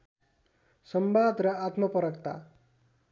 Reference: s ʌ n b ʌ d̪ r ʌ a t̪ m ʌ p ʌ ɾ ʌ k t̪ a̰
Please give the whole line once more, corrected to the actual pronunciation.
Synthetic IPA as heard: s ʌ m b a d̪ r ʌ a t̪ m ʌ p ʌ ɾ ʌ k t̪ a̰